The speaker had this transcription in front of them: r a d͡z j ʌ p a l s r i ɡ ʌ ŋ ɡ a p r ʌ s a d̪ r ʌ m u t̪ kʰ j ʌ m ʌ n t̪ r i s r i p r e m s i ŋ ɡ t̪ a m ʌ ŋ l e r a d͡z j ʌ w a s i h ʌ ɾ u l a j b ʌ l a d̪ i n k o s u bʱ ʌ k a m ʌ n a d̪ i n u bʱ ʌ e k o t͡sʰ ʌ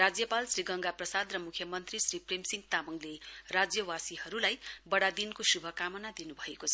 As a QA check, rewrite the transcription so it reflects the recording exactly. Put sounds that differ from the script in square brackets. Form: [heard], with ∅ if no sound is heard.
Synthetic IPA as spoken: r a d͡z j ʌ p a l s r i ɡ ʌ ŋ ɡ a p r ʌ s a d̪ r ʌ m u [∅] kʰ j ʌ m ʌ n t̪ r i s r i p r e m s i ŋ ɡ t̪ a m ʌ ŋ l e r a d͡z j ʌ w a s i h ʌ ɾ u l a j b ʌ [ɽ] a d̪ i n k o s u bʱ ʌ k a m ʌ n a d̪ i n u bʱ ʌ e k o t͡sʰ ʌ

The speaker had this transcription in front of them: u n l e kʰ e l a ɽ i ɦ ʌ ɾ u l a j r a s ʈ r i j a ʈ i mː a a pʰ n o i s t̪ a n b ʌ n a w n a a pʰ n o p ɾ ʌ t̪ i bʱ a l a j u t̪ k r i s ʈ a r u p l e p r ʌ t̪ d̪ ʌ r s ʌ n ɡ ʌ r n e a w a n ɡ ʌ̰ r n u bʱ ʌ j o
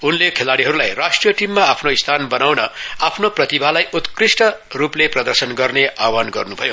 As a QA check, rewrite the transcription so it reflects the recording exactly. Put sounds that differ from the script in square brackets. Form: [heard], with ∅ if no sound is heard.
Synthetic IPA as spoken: u n l e kʰ e l a ɽ i ɦ ʌ ɾ u l a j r a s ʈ r i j [ʌ] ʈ i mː a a pʰ n o i s [t̪ʰ] a n b ʌ n a w n [ʌ] a pʰ n o p [r] ʌ t̪ i bʱ a l a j u t̪ k r i s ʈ [ʌ] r u p l e p r ʌ [∅] d̪ ʌ r s ʌ n ɡ ʌ r n e a w a n ɡ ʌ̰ r n u bʱ ʌ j o

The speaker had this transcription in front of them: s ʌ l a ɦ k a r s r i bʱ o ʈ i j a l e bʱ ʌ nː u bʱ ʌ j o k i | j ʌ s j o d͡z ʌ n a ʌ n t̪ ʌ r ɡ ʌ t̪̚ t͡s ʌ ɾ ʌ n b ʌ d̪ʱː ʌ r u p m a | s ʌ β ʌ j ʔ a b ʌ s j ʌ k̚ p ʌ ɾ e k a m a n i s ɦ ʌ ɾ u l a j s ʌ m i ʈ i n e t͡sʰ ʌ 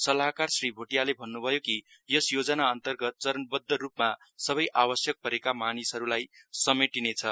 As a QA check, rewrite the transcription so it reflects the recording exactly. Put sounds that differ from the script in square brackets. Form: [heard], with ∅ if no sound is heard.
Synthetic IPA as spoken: s ʌ l a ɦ k a r s r i bʱ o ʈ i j a l e bʱ ʌ nː u bʱ ʌ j o k i | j ʌ s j o d͡z ʌ n a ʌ n t̪ ʌ r ɡ ʌ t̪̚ t͡s ʌ ɾ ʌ n b ʌ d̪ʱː ʌ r u p m a | s ʌ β ʌ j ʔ a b ʌ s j ʌ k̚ p ʌ ɾ e k a m a n i s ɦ ʌ ɾ u l a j s ʌ m [e] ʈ i n e t͡sʰ ʌ

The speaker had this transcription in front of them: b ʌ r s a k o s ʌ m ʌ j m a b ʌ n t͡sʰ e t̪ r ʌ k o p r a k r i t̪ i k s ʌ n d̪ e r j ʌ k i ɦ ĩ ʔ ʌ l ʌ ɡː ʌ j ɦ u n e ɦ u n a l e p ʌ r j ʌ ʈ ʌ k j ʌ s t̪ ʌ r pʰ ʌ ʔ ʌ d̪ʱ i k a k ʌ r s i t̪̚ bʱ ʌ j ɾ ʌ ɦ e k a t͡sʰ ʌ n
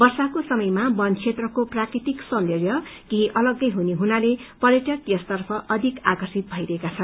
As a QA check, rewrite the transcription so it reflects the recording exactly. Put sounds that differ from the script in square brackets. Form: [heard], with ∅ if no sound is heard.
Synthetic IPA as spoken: b ʌ r s a k o s ʌ m ʌ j m a b ʌ n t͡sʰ e t̪ r ʌ k o p r a k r i t̪ i k s ʌ n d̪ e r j ʌ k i ɦ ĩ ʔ ʌ l ʌ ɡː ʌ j ɦ u n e ɦ u n a l e p ʌ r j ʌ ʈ ʌ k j ʌ s t̪ ʌ r pʰ ʌ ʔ ʌ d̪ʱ i k a k ʌ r s i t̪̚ bʱ ʌ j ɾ ʌ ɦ e k a t͡sʰ ʌ n

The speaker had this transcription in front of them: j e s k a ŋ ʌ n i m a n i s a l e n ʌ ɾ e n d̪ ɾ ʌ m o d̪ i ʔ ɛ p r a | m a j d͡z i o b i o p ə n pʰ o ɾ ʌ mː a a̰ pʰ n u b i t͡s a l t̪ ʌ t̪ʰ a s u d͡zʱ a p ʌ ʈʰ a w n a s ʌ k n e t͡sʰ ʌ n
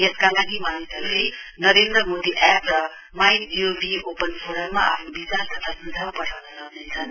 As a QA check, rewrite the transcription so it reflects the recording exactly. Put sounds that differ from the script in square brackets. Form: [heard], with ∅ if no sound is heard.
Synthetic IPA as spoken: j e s k a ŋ [a] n i m a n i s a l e n ʌ ɾ e n d̪ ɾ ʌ m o d̪ i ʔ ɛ p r [ʌ] | m a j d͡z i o b i o p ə n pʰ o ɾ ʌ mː a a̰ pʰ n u b i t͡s a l t̪ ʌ t̪ʰ a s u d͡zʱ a p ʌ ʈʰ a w n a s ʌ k n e t͡sʰ ʌ n

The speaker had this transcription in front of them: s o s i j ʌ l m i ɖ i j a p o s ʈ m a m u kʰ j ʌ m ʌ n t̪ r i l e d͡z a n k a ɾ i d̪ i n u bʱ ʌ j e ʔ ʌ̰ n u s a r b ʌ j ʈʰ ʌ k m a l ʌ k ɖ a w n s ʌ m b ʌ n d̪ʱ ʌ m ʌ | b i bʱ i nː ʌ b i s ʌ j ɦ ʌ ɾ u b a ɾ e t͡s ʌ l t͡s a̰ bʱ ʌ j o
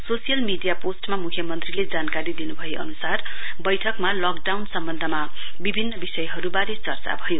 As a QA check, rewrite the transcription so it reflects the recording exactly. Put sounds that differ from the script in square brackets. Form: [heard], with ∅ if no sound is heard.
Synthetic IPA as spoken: s o s i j ʌ l m i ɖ i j a p o s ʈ m a m u kʰ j ʌ m ʌ n t̪ r i l e d͡z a n k a ɾ i d̪ i n u bʱ ʌ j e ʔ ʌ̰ n u s a r b ʌ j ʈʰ ʌ k m a l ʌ k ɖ a w n s ʌ m b ʌ n d̪ʱ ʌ m [a] | b i bʱ i nː ʌ b i s ʌ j ɦ ʌ ɾ u b a ɾ e t͡s ʌ [r] t͡s a̰ bʱ ʌ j o

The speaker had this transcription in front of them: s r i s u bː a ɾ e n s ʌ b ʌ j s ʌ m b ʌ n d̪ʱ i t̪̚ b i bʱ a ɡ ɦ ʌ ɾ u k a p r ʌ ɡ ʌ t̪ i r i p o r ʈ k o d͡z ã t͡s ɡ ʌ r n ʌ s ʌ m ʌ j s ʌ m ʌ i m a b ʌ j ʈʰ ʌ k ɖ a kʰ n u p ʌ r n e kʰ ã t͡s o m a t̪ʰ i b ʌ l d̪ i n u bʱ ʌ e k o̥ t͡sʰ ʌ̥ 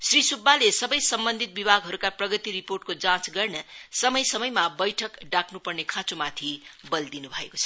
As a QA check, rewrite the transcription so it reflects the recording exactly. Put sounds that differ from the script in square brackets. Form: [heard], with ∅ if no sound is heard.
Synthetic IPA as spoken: s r i s u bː a [l] e [∅] s ʌ b ʌ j s ʌ m b ʌ n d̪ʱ i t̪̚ b i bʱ a ɡ ɦ ʌ ɾ u k a p r ʌ ɡ ʌ t̪ i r i p o r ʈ k o d͡z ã t͡s ɡ ʌ r n ʌ s ʌ m ʌ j s ʌ m ʌ [j] m a b ʌ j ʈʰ ʌ k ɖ a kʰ n u p ʌ r n e kʰ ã t͡s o m a t̪ʰ i b ʌ l d̪ i n u bʱ ʌ e k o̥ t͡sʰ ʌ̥

